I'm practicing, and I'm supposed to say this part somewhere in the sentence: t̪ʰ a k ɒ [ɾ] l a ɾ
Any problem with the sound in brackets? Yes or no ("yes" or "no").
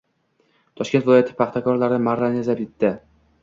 no